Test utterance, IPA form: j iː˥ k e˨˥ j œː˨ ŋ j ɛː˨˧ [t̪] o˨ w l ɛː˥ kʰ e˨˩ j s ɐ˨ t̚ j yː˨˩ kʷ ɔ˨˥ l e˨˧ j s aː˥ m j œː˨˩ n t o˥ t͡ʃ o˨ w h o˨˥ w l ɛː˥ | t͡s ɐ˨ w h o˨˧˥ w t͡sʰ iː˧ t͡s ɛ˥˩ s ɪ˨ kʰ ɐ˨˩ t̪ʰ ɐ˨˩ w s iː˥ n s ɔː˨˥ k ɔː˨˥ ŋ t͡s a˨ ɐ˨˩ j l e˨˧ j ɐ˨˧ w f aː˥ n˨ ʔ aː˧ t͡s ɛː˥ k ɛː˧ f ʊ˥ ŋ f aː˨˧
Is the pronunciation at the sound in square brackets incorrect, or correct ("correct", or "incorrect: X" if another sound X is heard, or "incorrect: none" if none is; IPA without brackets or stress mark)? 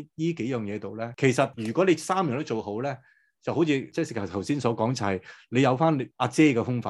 correct